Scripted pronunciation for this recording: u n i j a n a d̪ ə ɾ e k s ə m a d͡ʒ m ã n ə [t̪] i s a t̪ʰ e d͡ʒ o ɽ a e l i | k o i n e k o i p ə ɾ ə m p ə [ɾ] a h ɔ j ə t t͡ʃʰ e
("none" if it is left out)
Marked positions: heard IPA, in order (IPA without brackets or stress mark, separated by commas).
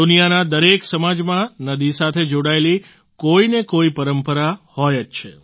d̪, ɾ